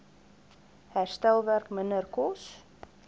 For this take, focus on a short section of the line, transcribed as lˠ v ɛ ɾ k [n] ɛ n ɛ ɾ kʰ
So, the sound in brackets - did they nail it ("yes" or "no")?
no